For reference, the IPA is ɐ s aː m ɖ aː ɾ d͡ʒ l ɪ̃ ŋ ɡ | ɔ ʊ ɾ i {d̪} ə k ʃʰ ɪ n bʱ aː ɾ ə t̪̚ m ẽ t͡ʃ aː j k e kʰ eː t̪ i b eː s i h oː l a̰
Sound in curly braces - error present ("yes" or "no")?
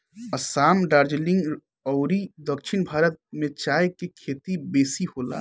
no